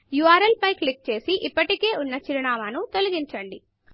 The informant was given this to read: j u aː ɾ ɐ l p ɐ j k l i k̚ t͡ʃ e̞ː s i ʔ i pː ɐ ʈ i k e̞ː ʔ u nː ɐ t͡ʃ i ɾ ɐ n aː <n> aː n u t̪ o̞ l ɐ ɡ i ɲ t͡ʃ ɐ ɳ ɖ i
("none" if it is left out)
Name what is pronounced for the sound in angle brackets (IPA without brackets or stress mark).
m